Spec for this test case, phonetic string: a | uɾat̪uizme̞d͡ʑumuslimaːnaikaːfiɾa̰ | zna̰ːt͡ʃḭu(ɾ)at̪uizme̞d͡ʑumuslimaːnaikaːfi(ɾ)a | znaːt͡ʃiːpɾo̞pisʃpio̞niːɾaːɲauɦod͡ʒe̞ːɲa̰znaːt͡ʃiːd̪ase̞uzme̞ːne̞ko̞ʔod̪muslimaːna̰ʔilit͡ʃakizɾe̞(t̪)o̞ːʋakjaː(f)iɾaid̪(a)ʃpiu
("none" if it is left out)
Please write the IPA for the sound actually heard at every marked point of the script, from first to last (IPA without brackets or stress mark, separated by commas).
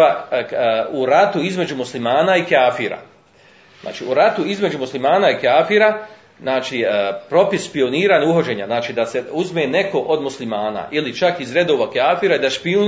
ɾ, ɾ, d̪, f, a